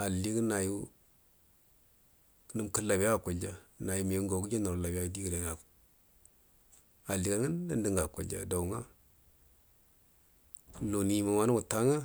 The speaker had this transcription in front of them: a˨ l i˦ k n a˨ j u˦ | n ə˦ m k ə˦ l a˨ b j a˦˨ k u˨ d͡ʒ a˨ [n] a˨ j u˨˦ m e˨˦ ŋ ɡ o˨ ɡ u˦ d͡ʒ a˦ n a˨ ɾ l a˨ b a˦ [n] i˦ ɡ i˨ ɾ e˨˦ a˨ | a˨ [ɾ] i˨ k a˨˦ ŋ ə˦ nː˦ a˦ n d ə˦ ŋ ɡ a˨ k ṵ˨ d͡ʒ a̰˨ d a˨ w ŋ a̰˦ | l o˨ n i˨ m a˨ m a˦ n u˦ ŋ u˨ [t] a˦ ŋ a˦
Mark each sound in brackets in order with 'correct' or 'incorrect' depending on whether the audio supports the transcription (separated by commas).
correct, incorrect, incorrect, correct